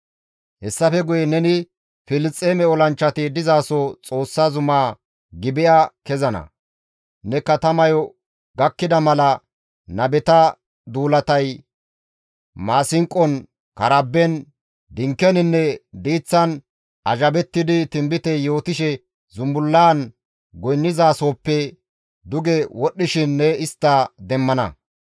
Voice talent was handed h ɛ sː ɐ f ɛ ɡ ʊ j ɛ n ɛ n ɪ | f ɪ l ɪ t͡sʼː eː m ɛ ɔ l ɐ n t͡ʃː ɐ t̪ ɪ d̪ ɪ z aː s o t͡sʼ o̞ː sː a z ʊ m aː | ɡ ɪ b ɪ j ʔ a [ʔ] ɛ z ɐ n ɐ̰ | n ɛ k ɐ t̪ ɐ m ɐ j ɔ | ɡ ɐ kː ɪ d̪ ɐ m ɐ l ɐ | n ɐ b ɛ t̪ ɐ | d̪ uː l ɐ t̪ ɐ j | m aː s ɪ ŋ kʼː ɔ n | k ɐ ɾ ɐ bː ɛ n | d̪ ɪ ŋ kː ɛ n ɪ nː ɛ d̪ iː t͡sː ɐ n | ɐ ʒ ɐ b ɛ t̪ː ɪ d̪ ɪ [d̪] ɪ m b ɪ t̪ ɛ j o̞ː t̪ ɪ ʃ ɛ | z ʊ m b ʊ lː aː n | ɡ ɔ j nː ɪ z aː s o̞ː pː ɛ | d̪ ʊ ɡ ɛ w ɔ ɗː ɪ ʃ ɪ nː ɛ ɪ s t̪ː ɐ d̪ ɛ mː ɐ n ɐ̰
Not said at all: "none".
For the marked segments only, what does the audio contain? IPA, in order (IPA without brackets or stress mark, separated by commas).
k, t̪